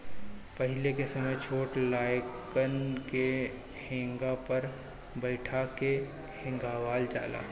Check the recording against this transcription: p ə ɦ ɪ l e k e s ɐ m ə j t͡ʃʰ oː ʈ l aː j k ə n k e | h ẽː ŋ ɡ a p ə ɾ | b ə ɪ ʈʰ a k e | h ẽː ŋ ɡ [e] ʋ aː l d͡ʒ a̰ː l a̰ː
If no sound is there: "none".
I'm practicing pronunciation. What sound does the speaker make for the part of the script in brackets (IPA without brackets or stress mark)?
a